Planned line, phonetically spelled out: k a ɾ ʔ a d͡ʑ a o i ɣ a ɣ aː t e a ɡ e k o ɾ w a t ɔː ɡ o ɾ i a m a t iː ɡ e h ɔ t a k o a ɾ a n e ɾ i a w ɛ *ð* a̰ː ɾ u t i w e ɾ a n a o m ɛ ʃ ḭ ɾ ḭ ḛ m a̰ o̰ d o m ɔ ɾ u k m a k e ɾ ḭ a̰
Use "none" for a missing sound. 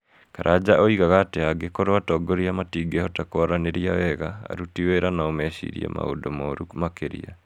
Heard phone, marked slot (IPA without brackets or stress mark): ɣ